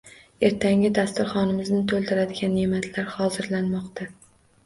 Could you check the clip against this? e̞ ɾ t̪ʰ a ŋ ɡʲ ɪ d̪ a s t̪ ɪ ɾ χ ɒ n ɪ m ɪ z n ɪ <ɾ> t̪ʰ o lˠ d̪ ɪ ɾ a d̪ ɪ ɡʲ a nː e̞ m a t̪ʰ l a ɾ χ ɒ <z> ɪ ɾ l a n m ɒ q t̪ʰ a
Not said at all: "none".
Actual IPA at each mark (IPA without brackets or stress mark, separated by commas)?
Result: none, z